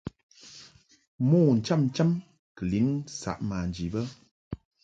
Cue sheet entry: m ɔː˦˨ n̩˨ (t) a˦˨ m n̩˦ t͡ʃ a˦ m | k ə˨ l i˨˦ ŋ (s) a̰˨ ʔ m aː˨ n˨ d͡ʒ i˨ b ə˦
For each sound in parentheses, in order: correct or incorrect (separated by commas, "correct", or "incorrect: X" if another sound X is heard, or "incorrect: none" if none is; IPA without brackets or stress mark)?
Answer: incorrect: t͡ʃ, correct